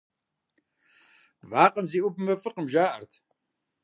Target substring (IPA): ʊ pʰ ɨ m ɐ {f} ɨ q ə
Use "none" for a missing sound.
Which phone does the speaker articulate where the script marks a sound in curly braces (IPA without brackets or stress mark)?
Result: f